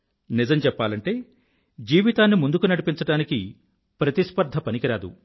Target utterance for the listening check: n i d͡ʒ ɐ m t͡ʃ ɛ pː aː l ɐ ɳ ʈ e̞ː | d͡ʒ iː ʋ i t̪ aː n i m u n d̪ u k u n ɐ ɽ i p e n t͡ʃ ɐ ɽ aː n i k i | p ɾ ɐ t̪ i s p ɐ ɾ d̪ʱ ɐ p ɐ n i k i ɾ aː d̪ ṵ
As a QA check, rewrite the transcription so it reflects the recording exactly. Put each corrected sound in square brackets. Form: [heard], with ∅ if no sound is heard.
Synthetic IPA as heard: n i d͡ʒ ɐ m t͡ʃ ɛ pː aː l ɐ ɳ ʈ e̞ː | d͡ʒ iː ʋ i t̪ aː [nː] i m u n d̪ u k u n ɐ ɽ i p [i] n t͡ʃ ɐ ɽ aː n i k i | p ɾ ɐ t̪ i s p ɐ ɾ d̪ʱ ɐ p ɐ n i k i ɾ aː d̪ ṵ